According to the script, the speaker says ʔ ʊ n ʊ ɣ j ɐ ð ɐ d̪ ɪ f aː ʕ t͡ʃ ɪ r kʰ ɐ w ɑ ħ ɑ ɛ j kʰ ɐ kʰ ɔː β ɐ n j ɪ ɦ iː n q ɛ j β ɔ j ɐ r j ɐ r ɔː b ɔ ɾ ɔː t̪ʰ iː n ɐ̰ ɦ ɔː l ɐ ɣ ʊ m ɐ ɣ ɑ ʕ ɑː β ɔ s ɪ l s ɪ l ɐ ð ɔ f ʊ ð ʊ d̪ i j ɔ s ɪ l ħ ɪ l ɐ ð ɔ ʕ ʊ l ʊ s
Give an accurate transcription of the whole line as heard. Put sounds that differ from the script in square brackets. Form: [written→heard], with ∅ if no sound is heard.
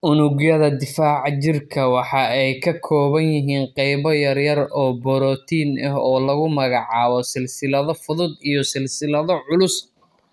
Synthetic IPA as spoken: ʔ ʊ n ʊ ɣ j ɐ ð ɐ d̪ ɪ f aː ʕ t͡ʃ ɪ r kʰ ɐ w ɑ ħ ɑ ɛ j kʰ ɐ kʰ ɔː β ɐ n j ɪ ɦ iː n q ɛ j β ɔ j ɐ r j ɐ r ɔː b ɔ ɾ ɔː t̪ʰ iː n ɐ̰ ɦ ɔː l ɐ ɣ ʊ m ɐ ɣ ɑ ʕ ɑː β ɔ s ɪ l s ɪ l ɐ ð ɔ f ʊ ð ʊ d̪ i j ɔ s ɪ l [ħ→s] ɪ l ɐ ð ɔ ʕ ʊ l ʊ s